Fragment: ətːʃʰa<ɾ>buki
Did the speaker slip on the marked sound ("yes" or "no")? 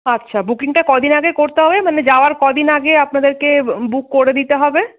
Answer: yes